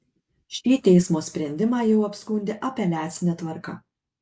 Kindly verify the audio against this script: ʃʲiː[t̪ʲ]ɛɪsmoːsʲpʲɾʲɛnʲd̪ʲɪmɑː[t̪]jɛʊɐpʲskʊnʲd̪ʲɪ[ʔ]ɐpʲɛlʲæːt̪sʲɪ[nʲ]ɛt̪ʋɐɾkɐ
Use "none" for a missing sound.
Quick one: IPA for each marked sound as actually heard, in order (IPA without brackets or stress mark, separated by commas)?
t̪ʲ, none, ʔ, nʲ